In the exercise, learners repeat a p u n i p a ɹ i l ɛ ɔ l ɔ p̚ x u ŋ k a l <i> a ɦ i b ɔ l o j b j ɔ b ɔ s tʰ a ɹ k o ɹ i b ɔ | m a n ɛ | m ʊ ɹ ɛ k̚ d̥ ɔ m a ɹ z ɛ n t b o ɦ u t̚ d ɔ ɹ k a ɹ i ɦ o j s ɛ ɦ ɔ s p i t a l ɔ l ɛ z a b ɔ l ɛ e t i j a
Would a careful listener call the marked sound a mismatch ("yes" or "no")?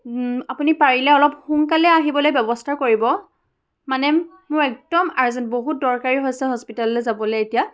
yes